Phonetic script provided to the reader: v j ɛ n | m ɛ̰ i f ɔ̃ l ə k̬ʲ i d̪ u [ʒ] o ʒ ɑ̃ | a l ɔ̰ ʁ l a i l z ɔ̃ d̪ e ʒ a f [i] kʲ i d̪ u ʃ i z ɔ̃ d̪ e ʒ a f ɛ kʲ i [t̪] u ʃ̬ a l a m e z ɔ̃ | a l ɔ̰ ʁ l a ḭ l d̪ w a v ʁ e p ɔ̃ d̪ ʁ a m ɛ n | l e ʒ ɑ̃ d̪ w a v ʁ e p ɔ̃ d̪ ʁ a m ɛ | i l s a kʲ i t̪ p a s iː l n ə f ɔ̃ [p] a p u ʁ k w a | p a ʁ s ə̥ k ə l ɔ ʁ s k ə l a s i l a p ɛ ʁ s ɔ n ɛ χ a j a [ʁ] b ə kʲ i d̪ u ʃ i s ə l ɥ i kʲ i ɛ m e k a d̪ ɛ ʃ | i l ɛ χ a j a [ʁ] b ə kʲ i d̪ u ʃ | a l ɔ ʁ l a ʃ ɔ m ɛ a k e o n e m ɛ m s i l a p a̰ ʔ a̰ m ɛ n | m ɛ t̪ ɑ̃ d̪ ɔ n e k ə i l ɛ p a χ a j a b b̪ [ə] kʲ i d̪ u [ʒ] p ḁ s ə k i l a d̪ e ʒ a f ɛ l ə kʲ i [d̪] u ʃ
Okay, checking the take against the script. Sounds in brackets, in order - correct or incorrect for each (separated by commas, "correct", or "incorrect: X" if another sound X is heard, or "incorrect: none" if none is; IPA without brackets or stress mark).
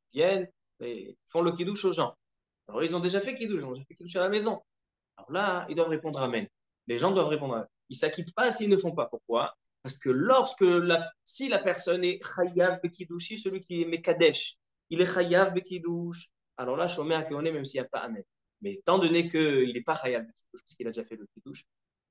incorrect: ʃ, incorrect: ɛ, incorrect: d̪, correct, incorrect: v, incorrect: v, correct, incorrect: ʃ, correct